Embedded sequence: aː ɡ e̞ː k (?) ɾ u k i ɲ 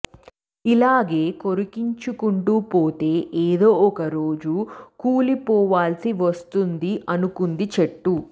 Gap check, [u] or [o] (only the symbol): o